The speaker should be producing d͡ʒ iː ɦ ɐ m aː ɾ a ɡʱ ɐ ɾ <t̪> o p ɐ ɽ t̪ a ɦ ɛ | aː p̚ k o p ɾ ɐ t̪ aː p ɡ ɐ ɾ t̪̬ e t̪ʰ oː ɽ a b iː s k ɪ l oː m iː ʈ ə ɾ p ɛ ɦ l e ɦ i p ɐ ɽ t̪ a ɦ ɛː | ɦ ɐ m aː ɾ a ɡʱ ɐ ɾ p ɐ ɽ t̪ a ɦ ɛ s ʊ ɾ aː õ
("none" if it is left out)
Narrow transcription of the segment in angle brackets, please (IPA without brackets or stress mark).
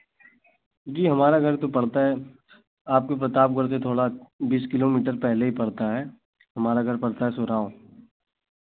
t̪